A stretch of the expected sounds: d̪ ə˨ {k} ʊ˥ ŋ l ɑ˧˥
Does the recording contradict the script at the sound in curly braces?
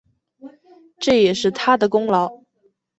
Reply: no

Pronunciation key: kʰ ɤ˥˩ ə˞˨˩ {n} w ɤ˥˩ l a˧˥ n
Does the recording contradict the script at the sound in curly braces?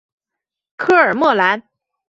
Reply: yes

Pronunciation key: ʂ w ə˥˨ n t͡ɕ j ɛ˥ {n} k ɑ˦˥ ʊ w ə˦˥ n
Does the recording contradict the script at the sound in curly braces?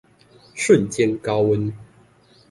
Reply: no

